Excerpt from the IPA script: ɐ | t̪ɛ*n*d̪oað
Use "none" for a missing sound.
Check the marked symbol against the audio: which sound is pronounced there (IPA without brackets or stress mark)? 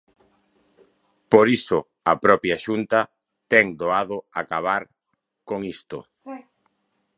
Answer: ŋ